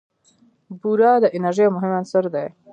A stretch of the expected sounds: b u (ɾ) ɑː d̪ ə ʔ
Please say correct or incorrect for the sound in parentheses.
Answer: correct